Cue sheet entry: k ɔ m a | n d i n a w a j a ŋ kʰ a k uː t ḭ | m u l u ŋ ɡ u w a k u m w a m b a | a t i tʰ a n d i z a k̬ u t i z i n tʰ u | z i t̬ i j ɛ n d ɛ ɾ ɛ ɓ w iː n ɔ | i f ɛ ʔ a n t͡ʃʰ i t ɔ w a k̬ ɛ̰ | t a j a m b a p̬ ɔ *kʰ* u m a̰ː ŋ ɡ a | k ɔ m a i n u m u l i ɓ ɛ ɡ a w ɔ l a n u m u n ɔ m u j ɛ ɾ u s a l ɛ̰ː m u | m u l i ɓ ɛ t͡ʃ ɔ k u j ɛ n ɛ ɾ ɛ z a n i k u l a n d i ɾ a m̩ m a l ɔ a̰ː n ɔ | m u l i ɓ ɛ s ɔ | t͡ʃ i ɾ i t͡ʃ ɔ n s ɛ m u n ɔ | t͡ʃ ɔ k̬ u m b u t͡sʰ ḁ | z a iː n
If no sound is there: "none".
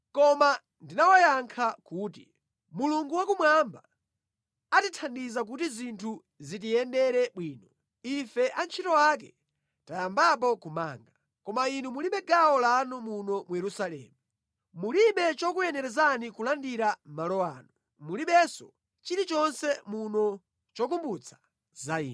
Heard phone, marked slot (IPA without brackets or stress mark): k